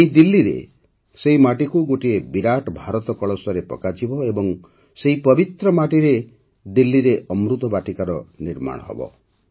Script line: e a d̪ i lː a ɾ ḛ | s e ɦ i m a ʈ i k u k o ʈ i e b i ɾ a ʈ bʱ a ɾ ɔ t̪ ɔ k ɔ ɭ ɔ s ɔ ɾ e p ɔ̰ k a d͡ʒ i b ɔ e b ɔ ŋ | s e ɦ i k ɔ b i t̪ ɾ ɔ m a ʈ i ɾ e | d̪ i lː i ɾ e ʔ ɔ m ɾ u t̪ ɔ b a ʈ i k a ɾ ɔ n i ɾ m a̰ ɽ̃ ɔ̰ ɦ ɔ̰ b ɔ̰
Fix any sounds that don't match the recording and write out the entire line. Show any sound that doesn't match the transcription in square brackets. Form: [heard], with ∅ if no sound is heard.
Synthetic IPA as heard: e [i] d̪ i lː [i] ɾ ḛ | s e ɦ i m a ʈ i k u [ɡ] o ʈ i e b i ɾ a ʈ bʱ a ɾ ɔ t̪ ɔ k ɔ ɭ ɔ s ɔ ɾ e p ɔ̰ k a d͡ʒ i b ɔ e b ɔ ŋ | s e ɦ i [p] ɔ b i t̪ ɾ ɔ m a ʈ i ɾ e | d̪ i lː i ɾ e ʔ ɔ m ɾ u t̪ ɔ b a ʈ i k a ɾ ɔ n i ɾ m a̰ ɽ̃ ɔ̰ ɦ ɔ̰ b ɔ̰